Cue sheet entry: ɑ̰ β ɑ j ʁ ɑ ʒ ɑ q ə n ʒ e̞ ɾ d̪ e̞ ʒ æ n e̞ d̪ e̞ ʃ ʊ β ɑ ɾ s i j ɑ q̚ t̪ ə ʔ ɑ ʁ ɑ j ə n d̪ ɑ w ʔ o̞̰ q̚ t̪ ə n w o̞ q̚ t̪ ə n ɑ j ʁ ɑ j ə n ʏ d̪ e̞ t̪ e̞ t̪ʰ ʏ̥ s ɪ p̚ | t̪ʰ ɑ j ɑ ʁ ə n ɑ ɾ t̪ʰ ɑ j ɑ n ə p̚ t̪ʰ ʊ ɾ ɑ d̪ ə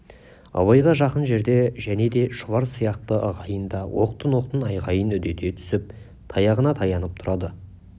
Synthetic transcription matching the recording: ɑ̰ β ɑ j ʁ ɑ ʒ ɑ q ə n ʒ e̞ ɾ d̪ e̞ ʒ æ n e̞ d̪ e̞ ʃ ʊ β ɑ ɾ s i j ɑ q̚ t̪ ə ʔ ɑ ʁ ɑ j ə n d̪ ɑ w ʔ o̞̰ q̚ t̪ ə n w o̞ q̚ t̪ ə n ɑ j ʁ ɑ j ə n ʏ d̪ e̞ t̪ e̞ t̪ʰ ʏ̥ s ɪ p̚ | t̪ʰ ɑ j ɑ ʁ ə n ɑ t̪ʰ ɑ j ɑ n ə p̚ t̪ʰ ʊ ɾ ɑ d̪ ə